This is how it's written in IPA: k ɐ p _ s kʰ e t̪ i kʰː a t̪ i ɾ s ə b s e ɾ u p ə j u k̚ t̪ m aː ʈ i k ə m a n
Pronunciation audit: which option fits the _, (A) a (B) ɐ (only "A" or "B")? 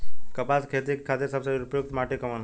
A